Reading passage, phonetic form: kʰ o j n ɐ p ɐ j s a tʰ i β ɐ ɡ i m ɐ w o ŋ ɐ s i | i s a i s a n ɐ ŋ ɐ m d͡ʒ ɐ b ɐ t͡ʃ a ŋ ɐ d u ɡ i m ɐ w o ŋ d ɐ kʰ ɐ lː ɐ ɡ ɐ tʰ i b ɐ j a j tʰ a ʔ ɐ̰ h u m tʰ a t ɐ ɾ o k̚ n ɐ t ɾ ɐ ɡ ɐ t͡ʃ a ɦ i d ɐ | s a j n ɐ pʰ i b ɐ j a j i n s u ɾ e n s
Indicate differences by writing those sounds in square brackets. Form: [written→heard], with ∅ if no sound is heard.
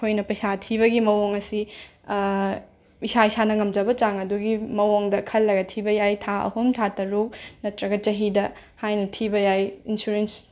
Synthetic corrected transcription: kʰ o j n ɐ p ɐ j s a tʰ i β ɐ ɡ i m ɐ w o ŋ ɐ s i | i s a i s a n ɐ ŋ ɐ m d͡ʒ ɐ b ɐ t͡ʃ a ŋ ɐ d u ɡ i m ɐ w o ŋ d ɐ kʰ ɐ lː ɐ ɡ ɐ tʰ i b ɐ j a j tʰ a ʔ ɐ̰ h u m tʰ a t ɐ ɾ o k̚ n ɐ t ɾ ɐ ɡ ɐ t͡ʃ [a→ɐ] ɦ i d ɐ | [s→h] a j n ɐ [pʰ→tʰ] i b ɐ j a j i n s u ɾ e n s